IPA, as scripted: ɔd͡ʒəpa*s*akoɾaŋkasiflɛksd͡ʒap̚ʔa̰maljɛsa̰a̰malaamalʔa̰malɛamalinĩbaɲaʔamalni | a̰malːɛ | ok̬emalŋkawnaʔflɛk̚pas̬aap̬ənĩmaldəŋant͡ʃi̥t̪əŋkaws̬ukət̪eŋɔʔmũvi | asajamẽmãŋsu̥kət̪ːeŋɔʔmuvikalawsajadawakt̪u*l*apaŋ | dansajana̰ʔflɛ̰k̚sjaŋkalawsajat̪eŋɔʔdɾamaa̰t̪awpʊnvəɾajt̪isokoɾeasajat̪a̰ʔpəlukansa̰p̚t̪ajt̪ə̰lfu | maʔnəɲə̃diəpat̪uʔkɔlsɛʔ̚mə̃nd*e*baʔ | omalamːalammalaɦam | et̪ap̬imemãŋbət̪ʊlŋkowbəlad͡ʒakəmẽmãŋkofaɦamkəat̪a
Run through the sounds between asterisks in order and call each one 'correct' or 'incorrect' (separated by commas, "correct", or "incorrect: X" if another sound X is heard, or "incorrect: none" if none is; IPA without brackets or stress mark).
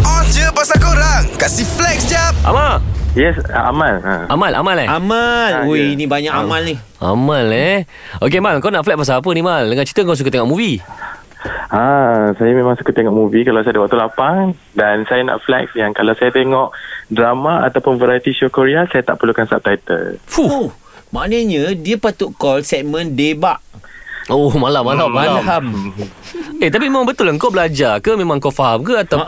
correct, correct, correct